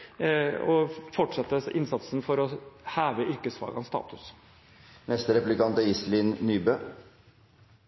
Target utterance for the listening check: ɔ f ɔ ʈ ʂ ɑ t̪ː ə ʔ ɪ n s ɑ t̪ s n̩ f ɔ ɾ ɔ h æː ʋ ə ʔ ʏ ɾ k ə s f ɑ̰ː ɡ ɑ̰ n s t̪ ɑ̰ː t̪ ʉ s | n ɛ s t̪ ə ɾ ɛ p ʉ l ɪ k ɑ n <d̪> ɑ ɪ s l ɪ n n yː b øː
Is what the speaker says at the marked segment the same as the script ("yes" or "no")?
no